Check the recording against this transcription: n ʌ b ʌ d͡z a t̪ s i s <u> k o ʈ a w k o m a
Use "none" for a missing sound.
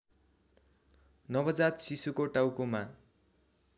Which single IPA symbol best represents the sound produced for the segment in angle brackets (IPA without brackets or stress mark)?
u